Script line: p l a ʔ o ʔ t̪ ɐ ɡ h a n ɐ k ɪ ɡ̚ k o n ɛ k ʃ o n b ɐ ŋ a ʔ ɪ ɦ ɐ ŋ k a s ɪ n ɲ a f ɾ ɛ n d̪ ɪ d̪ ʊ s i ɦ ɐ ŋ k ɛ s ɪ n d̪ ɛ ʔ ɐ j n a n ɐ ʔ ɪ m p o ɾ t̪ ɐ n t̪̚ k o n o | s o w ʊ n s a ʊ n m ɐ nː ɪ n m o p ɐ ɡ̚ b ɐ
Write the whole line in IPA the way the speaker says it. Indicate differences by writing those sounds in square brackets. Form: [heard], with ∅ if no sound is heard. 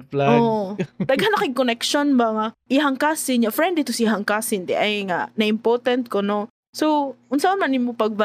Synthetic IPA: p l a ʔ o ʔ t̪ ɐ ɡ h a n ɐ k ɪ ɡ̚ k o n ɛ k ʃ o n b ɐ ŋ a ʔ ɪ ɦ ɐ ŋ k a s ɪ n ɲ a f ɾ ɛ n d̪ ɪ [t̪] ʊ s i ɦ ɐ ŋ k [a] s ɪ n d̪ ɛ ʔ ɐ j [ŋ] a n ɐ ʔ ɪ m p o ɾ t̪ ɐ n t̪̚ k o n o | s o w ʊ n s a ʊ n m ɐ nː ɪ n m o p ɐ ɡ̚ b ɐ